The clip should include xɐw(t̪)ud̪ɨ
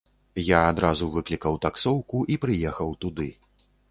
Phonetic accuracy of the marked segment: correct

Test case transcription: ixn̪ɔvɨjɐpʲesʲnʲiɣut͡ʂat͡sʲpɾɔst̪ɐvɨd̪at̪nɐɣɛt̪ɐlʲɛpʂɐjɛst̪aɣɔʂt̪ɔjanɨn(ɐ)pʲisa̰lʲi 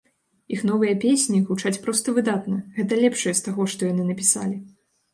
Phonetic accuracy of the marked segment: correct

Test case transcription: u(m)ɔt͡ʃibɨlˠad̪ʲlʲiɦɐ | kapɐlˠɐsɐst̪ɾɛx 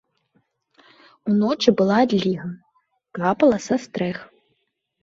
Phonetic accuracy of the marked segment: incorrect: n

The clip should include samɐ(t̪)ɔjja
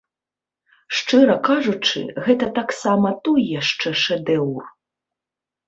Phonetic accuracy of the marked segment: correct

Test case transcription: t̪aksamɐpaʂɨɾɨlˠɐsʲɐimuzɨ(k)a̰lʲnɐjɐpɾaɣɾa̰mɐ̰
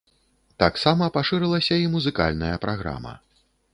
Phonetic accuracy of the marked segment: correct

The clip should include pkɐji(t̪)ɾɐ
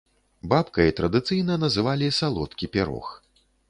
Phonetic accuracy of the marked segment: correct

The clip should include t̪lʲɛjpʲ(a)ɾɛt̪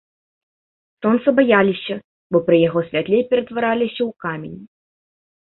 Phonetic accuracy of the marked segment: incorrect: ɛ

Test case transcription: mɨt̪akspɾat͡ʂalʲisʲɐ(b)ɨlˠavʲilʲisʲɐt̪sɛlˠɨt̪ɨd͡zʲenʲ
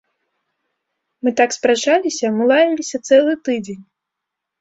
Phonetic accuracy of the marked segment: incorrect: m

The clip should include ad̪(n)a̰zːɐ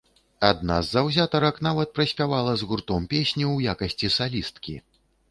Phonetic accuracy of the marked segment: correct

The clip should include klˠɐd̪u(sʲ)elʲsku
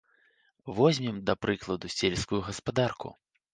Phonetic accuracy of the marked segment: correct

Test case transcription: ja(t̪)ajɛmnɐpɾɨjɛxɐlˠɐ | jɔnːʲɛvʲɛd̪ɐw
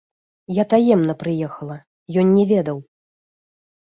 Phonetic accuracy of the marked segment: correct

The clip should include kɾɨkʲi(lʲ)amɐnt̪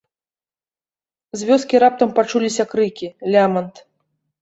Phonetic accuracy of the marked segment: correct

